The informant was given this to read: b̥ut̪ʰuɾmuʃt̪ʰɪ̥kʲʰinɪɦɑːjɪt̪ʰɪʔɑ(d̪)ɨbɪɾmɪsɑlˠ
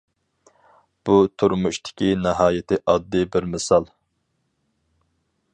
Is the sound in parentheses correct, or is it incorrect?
incorrect